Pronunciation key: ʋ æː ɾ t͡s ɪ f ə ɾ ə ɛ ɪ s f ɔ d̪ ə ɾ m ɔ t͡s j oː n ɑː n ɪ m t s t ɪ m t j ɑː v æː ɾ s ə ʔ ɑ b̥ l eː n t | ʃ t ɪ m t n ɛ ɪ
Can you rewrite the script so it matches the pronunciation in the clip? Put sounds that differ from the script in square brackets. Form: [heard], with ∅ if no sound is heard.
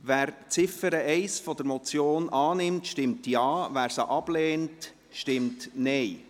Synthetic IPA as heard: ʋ æː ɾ t͡s ɪ f ə ɾ ə ɛ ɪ s f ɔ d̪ ə ɾ m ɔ t͡s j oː n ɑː n ɪ m t [ʃ] t ɪ m t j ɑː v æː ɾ s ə ʔ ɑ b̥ l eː n t | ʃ t ɪ m t n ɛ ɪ